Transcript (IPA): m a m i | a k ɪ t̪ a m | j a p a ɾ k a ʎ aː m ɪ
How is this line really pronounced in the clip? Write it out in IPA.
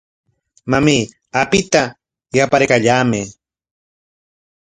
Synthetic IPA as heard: m a m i | a p ɪ t̪ a | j a p a ɾ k a ʎ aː m ɪ